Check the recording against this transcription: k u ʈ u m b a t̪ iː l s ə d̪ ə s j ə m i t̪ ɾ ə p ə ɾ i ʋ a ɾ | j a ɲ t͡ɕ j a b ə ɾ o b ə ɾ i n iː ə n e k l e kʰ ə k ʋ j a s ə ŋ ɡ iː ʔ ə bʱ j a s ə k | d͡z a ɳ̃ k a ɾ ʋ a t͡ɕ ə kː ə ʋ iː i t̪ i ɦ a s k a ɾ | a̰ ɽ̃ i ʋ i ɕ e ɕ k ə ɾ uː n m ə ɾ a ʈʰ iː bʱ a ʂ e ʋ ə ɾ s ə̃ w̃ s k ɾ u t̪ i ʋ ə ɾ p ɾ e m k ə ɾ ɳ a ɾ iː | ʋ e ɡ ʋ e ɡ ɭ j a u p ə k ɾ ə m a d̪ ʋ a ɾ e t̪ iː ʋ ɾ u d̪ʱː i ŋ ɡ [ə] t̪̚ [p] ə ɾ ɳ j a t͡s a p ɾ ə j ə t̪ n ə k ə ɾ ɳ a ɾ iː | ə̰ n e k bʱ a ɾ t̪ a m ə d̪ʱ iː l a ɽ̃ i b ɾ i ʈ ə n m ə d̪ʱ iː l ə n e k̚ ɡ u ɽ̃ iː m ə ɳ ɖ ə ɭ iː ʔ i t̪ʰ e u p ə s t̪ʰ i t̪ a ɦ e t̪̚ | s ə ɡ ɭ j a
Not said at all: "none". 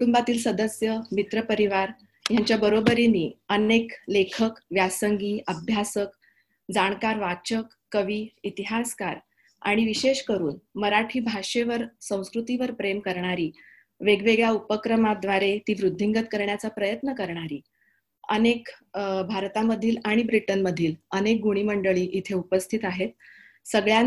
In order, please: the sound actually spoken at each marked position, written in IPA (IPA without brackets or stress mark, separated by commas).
ə, k